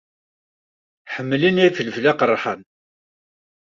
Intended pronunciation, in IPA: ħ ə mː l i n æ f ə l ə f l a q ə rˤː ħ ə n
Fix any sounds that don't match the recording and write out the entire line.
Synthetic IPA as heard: ħ ə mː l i n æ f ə l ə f l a q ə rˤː ħ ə n